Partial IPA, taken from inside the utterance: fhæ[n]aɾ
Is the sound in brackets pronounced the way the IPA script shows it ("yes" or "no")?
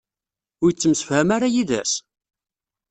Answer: no